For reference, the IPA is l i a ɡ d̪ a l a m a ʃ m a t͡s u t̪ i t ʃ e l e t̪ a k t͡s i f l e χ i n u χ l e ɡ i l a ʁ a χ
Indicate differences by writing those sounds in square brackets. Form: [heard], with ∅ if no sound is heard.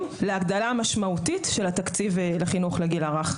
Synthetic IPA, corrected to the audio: l [e] a ɡ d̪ a l a m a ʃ m a [∅] u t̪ i t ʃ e l [a] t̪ a k t͡s i [v] l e χ i n u χ l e ɡ i l a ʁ a χ